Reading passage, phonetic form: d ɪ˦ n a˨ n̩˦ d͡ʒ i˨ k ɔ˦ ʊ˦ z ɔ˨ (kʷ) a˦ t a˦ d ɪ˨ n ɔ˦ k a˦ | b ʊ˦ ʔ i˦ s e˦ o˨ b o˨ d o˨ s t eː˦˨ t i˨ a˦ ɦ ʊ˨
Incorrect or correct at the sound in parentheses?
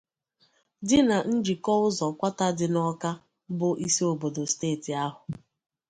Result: correct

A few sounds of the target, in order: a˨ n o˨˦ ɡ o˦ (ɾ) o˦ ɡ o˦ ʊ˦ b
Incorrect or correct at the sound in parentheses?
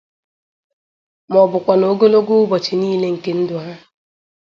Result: incorrect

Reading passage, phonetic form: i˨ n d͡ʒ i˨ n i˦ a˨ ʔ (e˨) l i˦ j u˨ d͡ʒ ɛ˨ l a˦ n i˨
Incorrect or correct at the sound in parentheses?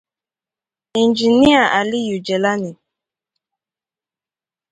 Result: incorrect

